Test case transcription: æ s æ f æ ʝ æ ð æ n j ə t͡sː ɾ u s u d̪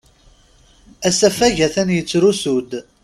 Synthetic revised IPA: æ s æ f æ ʝ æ θ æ n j ə t͡sː ɾ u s u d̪